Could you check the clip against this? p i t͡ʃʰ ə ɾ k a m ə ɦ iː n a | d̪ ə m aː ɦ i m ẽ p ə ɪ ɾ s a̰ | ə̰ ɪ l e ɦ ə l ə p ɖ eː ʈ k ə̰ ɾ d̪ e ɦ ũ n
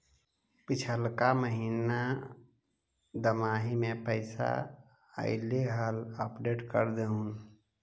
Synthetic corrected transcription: p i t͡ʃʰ ə l k a m ə ɦ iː n a | d̪ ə m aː ɦ i m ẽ p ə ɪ s a̰ | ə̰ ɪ l e ɦ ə l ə p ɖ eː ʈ k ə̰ ɾ d̪ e ɦ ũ n